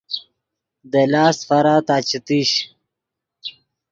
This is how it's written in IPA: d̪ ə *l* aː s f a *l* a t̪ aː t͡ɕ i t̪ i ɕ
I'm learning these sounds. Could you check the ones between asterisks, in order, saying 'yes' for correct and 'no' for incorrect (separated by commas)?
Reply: yes, no